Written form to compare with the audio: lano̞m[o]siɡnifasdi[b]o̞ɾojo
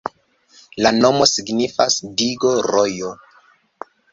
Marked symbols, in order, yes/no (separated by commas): yes, no